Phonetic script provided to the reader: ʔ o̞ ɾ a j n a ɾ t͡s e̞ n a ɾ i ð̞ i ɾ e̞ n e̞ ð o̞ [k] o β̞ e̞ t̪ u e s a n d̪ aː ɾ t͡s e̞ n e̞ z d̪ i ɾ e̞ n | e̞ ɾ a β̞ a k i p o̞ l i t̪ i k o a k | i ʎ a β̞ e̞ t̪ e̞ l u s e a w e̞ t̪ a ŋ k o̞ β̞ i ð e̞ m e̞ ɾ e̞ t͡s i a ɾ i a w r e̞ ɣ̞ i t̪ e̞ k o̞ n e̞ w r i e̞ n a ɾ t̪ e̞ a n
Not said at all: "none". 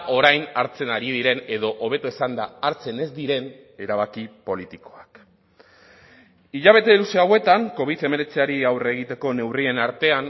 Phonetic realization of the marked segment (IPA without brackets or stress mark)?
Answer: ʔ